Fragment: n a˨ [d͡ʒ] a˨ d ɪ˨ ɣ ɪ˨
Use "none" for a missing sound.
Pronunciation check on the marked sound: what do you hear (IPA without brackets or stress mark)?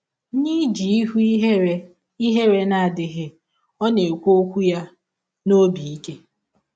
none